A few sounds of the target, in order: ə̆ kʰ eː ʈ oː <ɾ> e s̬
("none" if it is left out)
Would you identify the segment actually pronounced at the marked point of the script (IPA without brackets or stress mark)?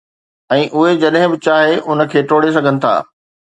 ɽ